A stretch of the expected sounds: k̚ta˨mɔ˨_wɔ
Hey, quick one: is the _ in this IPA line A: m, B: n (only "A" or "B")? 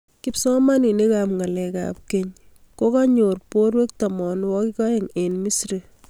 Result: B